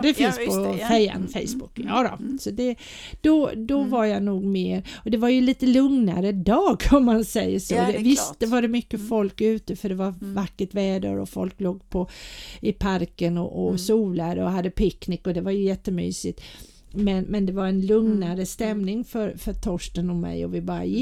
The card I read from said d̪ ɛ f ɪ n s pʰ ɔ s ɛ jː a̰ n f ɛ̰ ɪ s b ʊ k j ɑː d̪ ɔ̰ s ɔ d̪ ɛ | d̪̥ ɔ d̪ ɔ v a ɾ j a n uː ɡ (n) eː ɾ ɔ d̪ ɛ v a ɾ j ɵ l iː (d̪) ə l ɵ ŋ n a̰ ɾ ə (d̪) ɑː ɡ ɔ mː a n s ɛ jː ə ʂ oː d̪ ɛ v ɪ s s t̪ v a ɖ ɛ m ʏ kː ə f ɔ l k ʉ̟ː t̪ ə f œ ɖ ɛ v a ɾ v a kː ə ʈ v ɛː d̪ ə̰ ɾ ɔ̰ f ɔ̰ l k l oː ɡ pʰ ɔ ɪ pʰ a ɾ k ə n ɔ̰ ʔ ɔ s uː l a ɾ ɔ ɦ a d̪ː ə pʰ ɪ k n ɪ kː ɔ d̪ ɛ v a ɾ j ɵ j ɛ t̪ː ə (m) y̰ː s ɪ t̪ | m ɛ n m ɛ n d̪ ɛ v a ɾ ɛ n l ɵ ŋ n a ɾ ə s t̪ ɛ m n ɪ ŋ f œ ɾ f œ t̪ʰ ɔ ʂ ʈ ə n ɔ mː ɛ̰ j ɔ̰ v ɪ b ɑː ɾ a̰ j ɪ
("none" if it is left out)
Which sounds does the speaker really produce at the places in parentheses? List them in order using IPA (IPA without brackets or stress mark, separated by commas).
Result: m, t̪, d̪, m